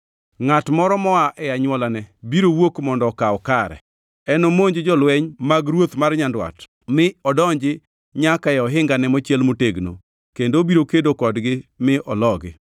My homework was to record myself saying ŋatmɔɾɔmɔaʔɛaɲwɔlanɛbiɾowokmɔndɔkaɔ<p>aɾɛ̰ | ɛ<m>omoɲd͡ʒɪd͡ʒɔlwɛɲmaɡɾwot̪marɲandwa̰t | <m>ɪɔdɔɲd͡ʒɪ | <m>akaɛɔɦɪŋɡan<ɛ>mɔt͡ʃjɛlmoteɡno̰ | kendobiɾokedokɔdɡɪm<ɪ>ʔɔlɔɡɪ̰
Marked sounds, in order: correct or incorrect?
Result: incorrect: k, incorrect: n, correct, incorrect: ɲ, correct, correct

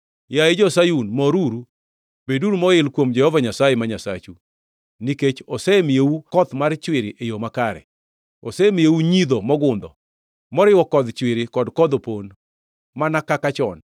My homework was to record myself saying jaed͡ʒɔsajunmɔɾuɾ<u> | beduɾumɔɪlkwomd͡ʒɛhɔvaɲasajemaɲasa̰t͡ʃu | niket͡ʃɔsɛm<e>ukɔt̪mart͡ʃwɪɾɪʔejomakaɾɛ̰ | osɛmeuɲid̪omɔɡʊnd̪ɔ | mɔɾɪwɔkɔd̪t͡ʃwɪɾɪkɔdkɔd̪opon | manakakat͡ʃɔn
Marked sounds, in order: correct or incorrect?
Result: correct, correct

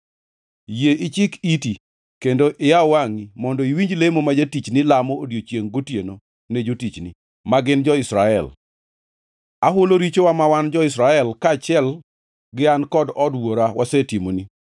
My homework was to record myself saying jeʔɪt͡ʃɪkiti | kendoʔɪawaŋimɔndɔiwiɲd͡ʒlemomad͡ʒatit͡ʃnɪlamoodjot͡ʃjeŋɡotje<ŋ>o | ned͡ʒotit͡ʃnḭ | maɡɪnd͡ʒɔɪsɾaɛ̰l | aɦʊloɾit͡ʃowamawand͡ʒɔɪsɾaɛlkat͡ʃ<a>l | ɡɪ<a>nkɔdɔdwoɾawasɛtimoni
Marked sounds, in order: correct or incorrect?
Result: incorrect: n, incorrect: ɛ, correct

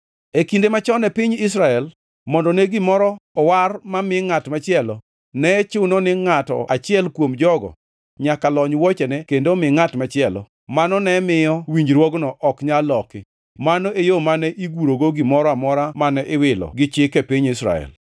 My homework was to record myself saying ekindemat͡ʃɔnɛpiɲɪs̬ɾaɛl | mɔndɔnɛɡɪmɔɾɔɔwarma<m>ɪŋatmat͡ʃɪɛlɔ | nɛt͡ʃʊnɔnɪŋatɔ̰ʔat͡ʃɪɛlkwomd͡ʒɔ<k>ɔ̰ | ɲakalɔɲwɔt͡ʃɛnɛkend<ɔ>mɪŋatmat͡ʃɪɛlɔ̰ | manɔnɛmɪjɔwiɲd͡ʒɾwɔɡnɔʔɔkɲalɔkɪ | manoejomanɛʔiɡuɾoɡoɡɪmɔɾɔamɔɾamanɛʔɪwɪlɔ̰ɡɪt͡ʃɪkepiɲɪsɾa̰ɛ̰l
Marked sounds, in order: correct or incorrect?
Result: correct, incorrect: ɡ, incorrect: o

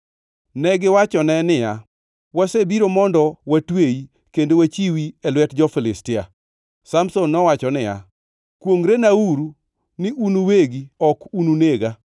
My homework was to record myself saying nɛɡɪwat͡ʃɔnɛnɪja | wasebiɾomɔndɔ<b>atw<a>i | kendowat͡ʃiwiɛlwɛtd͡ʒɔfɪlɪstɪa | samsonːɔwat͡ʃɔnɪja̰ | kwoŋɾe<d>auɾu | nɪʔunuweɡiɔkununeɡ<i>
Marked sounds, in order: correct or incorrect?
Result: incorrect: w, incorrect: e, incorrect: n, incorrect: a

